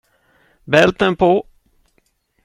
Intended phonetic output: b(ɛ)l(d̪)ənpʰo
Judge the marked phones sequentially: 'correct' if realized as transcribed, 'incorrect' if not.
correct, incorrect: t̪

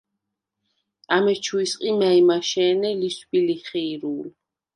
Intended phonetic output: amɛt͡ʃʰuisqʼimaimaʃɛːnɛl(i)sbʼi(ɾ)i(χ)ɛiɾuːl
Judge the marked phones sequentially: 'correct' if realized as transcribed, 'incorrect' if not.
correct, incorrect: l, correct

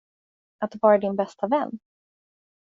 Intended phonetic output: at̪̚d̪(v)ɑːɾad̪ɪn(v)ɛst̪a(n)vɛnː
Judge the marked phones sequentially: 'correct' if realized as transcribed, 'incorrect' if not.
correct, incorrect: b, incorrect: none

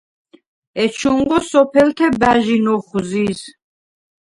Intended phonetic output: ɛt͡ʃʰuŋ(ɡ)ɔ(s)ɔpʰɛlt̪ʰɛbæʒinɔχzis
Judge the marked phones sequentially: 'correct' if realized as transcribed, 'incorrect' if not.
correct, correct

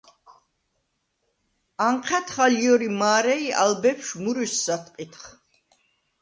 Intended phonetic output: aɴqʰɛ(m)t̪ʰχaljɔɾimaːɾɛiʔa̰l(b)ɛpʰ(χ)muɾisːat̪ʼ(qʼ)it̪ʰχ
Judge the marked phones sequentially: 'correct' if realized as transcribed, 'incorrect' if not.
incorrect: none, correct, incorrect: ʃ, correct

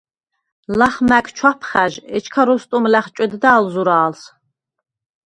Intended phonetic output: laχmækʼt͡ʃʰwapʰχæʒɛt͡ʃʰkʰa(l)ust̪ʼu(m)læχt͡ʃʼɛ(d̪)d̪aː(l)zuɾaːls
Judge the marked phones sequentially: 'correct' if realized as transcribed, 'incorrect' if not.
incorrect: ɾ, correct, correct, correct

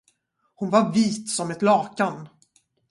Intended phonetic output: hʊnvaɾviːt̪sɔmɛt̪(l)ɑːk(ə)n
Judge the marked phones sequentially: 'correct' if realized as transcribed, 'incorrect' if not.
correct, incorrect: a

